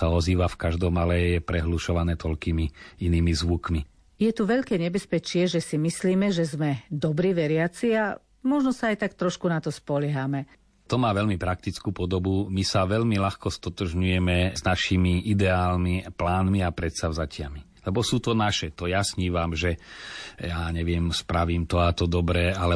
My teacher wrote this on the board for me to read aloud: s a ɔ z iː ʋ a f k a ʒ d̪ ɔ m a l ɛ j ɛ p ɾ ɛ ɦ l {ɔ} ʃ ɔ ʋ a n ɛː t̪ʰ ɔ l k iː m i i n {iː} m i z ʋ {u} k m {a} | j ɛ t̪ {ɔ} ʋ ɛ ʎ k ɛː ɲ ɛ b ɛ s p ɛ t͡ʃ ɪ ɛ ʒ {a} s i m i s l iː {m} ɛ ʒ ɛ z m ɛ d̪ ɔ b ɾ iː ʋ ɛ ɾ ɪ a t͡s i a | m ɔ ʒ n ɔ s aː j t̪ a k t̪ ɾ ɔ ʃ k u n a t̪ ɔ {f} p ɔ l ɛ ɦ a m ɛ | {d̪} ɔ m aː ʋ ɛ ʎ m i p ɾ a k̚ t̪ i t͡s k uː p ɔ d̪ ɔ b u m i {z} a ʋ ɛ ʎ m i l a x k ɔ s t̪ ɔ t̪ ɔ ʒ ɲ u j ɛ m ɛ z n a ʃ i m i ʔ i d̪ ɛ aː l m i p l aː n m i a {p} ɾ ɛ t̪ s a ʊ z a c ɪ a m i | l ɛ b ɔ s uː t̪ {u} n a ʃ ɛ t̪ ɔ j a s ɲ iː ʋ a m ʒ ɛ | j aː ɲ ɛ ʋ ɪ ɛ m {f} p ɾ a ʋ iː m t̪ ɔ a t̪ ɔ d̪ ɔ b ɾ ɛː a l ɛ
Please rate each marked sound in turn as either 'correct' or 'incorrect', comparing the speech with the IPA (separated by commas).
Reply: incorrect, correct, correct, incorrect, incorrect, incorrect, correct, incorrect, incorrect, incorrect, correct, incorrect, incorrect